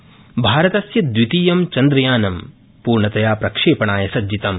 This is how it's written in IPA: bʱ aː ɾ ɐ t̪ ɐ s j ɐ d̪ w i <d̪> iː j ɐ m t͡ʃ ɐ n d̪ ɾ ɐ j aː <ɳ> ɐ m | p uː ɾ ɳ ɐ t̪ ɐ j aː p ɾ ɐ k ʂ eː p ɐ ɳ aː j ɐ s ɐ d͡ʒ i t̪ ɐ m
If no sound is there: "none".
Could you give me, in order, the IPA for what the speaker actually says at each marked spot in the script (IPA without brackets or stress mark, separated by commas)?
t̪, n